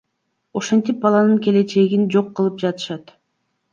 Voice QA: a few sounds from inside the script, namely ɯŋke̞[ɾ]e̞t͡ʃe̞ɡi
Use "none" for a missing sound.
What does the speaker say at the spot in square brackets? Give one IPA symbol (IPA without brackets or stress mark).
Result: l